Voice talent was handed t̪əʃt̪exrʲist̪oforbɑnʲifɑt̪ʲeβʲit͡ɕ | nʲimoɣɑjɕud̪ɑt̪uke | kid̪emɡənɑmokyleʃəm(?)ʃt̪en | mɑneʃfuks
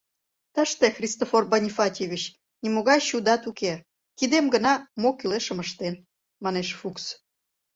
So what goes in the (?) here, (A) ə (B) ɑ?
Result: A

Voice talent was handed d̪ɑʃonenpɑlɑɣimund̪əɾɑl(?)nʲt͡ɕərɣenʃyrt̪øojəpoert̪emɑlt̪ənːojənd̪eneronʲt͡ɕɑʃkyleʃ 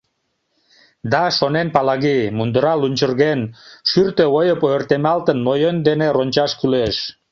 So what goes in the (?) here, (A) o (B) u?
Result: B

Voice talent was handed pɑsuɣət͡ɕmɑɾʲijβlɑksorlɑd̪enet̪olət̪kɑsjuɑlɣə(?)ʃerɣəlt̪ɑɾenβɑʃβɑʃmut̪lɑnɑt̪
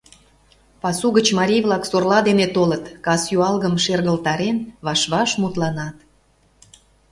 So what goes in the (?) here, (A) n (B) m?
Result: B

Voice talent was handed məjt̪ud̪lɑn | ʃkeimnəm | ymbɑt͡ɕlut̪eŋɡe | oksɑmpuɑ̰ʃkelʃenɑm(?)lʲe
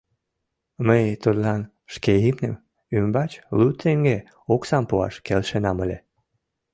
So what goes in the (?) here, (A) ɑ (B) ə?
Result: B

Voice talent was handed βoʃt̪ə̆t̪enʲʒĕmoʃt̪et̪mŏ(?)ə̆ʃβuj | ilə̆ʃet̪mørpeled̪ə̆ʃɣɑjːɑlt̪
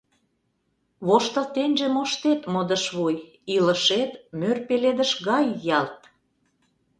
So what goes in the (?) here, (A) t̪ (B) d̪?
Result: B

